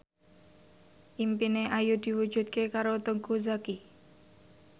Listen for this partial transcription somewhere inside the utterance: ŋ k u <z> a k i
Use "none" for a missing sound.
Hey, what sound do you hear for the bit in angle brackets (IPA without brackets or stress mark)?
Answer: z